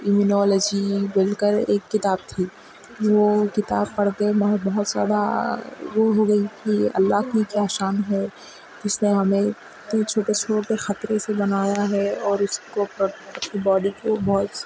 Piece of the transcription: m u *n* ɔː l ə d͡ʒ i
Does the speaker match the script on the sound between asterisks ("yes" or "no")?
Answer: yes